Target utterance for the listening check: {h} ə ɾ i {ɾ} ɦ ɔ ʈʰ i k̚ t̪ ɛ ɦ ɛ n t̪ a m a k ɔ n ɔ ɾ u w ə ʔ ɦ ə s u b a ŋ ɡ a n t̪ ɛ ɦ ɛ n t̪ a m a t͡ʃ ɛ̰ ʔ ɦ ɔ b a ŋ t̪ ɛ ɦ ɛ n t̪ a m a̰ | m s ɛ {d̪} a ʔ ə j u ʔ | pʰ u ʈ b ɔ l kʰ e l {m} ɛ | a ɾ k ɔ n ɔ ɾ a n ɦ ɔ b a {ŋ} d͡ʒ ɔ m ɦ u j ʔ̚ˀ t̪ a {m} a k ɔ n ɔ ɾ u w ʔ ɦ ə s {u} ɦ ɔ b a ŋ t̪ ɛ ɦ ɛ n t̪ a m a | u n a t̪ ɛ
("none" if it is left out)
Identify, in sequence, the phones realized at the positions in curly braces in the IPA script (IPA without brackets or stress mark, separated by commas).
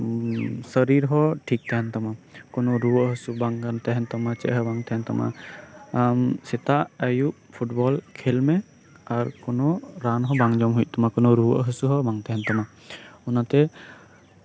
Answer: s, ɾ, t̪, m, ŋ, m, u